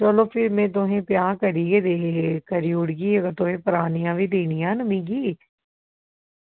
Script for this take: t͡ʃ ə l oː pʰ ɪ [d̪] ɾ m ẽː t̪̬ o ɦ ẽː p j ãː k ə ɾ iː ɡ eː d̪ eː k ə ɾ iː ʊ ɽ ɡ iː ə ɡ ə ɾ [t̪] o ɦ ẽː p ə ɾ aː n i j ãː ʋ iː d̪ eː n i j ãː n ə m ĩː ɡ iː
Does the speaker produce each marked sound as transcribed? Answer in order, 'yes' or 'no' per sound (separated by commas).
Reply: no, yes